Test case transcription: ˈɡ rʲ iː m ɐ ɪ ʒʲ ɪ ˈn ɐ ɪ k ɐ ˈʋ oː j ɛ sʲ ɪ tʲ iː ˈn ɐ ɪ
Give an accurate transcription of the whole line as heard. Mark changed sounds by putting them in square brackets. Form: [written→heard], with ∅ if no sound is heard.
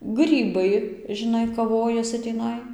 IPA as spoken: ˈɡ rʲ iː [m→b] ɐ ɪ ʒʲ ɪ ˈn ɐ ɪ k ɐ ˈʋ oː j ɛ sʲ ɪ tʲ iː ˈn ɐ ɪ